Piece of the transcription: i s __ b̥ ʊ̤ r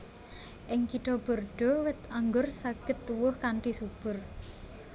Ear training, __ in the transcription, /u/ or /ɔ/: u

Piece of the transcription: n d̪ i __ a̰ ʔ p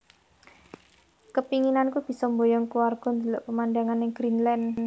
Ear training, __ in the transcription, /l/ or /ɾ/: l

